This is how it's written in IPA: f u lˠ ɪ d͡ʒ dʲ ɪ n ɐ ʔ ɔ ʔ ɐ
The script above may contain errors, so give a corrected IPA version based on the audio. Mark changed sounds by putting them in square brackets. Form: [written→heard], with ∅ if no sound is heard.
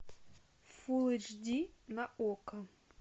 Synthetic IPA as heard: f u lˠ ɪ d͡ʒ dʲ [ɪ→i] n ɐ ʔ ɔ [ʔ→k] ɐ